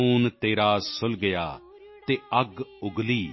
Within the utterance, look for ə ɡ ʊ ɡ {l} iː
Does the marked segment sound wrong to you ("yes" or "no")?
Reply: no